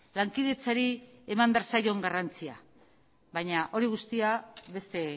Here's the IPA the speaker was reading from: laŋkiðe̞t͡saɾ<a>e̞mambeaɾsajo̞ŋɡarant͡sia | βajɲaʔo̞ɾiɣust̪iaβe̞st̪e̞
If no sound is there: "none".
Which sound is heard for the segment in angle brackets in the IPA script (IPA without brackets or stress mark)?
i